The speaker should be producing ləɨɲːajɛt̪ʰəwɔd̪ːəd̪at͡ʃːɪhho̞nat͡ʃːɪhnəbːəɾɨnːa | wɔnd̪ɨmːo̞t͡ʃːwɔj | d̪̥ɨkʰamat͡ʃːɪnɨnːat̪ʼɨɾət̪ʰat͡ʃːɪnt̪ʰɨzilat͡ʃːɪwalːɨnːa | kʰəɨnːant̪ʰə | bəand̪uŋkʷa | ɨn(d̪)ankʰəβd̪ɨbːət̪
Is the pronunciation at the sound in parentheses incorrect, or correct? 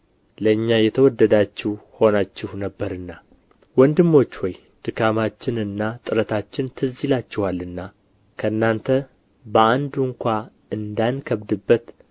correct